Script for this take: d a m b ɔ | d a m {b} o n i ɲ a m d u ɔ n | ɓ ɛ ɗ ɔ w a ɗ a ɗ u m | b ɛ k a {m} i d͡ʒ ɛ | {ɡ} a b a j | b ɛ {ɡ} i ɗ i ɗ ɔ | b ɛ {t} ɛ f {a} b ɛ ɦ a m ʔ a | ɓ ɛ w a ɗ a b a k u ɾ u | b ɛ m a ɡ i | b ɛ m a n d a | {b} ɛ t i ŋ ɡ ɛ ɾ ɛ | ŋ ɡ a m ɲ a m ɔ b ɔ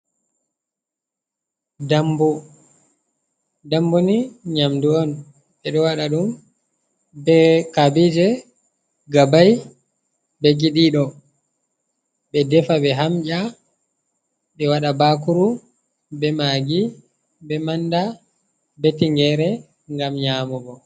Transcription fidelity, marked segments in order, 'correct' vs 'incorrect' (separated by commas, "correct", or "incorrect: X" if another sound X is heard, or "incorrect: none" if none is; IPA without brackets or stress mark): correct, incorrect: b, correct, correct, incorrect: d, correct, correct